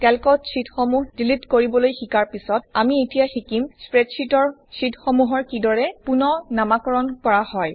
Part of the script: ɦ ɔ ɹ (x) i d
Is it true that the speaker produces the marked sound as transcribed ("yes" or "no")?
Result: no